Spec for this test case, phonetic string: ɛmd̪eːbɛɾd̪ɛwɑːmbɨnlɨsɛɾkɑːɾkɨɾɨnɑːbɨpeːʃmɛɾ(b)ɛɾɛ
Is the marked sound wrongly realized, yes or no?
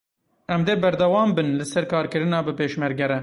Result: yes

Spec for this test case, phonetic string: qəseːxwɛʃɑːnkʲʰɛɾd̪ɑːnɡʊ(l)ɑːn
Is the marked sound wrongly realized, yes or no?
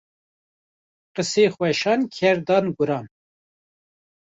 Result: yes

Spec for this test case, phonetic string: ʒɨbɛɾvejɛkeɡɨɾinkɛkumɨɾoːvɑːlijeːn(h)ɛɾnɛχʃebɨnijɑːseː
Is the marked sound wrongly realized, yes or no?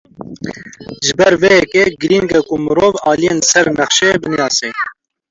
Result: yes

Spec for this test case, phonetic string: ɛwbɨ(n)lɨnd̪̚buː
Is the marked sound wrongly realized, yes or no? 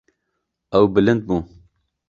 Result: yes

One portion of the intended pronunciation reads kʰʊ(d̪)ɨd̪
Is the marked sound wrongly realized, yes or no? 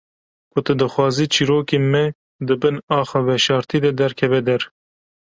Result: yes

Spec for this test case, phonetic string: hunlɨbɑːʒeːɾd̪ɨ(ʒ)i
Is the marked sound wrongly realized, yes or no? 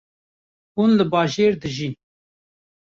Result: no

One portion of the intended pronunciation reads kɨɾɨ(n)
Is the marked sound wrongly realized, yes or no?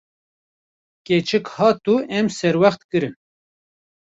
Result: no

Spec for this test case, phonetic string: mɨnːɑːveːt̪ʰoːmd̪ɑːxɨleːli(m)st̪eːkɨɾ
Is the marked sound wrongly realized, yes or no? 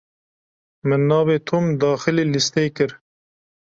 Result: yes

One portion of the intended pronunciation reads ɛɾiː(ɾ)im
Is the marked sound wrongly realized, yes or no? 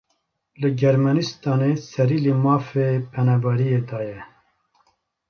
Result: yes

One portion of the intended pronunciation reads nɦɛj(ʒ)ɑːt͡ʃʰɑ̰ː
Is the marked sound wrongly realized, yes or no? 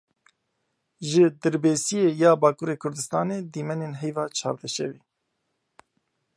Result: yes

